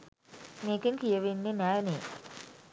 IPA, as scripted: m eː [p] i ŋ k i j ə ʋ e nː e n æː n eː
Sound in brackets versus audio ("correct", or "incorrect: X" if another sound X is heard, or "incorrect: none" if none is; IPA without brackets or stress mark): incorrect: k